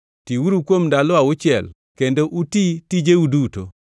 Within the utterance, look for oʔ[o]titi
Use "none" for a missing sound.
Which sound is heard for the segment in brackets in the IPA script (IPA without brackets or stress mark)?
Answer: u